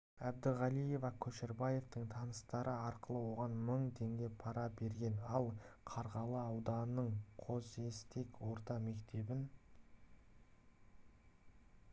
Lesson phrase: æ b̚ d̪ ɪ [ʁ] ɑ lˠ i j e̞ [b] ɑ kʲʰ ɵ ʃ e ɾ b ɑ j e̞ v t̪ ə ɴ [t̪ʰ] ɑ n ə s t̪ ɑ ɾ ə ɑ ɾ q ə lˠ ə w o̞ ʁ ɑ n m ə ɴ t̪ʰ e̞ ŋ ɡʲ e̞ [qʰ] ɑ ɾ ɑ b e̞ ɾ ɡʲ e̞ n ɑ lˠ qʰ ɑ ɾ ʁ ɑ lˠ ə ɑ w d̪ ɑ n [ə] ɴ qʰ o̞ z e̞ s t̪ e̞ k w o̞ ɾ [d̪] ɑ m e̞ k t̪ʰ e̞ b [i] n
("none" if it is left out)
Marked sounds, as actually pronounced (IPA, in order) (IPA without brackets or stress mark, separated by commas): ʁ, v, t̪ʰ, pʰ, ə, t̪, ɪ